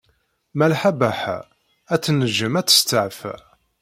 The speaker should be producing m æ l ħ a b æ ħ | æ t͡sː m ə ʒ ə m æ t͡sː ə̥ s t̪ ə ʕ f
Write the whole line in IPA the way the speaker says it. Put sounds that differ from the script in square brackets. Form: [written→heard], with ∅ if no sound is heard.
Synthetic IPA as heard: m æ l ħ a b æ ħ | æ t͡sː [m→n] ə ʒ ə m æ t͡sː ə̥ s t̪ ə ʕ f

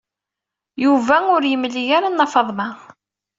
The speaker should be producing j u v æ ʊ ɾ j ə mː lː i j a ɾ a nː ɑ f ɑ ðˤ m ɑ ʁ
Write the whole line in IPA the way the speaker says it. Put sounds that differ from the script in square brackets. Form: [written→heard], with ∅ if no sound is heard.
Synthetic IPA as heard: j u v æ ʊ ɾ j ə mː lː i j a ɾ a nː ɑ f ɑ ðˤ m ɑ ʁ

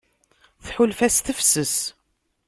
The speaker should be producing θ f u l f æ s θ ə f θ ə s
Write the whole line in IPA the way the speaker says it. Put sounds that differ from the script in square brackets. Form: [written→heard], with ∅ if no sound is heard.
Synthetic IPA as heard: θ [f→ħ] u l f æ s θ ə f [θ→s] ə s

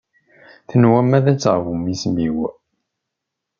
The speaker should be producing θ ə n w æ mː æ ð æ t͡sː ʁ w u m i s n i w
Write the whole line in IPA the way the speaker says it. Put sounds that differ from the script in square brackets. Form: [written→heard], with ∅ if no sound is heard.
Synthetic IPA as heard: θ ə n w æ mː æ ð æ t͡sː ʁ [w→v] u m i s [n→m] i w

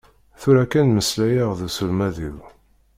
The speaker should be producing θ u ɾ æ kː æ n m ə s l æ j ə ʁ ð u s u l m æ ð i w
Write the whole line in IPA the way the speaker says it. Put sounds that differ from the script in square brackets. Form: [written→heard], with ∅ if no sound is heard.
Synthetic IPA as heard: θ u ɾ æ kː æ n m ə s l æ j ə ʁ ð u s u l m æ ð i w

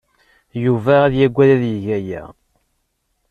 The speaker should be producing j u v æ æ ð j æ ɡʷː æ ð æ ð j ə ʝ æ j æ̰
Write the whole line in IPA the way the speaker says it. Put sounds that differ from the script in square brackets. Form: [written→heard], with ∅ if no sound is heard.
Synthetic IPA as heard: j u v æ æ ð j æ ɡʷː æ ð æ ð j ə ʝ æ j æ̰

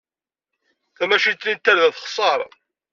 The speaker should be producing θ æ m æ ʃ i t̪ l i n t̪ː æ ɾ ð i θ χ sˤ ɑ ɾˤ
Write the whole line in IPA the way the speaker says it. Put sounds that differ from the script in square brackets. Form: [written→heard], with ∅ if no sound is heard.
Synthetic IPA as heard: θ æ m æ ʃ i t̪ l i n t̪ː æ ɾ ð [i→æ] θ χ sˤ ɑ ɾˤ

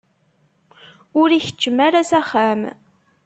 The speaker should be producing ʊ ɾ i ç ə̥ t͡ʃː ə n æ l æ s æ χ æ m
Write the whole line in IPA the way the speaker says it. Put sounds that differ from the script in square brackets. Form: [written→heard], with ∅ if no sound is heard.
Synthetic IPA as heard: ʊ ɾ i ç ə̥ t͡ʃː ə [n→m] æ [l→ɾ] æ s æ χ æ m

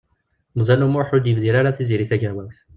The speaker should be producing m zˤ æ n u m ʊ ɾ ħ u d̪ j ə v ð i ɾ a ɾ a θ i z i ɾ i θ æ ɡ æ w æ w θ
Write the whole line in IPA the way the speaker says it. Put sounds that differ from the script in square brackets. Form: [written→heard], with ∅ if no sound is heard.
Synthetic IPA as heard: m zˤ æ n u m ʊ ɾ ħ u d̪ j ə v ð i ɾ a ɾ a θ i z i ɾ i θ æ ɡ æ w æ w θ

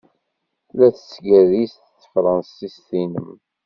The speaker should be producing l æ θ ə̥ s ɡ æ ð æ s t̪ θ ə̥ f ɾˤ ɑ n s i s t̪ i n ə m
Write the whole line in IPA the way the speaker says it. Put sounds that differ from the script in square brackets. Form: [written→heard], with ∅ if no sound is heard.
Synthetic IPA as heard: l æ θ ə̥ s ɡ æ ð [æ→i] s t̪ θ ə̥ f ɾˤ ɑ n s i s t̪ i n ə m

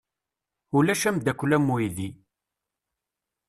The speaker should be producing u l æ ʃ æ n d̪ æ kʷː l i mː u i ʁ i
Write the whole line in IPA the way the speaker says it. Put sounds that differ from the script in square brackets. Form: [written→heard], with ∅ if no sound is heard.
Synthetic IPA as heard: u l æ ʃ æ [n→m] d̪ æ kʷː l [i→æ] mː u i [ʁ→ð] i

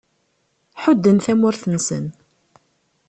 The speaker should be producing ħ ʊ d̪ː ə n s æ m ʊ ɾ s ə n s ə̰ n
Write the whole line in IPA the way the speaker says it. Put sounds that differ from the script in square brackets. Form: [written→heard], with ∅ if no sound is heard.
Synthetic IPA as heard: ħ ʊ d̪ː ə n [s→θ] æ m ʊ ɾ [s→θ] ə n s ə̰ n

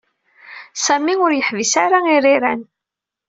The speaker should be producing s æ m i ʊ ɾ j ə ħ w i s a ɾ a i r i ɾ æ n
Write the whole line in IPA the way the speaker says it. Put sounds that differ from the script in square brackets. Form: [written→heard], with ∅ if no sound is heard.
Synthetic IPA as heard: s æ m i ʊ ɾ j ə ħ [w→v] i s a ɾ a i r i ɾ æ n

